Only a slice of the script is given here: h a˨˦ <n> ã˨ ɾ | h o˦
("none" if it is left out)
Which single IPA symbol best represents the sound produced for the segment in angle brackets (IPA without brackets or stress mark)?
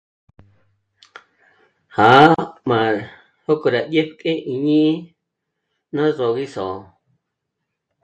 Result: m